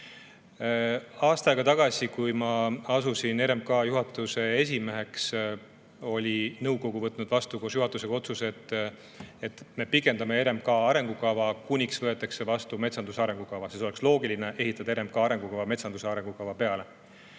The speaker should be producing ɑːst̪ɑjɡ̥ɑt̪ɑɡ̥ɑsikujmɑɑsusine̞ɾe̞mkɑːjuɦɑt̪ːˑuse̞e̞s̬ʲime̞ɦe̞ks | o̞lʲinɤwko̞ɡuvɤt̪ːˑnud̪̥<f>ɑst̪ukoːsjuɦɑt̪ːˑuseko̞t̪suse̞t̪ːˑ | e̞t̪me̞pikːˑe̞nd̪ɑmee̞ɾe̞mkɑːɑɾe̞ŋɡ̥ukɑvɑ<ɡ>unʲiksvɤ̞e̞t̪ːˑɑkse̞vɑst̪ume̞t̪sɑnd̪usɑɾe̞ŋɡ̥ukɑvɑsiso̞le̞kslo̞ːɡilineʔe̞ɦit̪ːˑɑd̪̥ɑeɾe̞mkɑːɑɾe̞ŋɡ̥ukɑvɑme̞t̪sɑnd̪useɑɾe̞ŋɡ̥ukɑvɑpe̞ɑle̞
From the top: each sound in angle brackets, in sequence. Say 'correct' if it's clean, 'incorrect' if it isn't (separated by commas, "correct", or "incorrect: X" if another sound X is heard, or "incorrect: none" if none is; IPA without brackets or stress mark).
incorrect: v, incorrect: k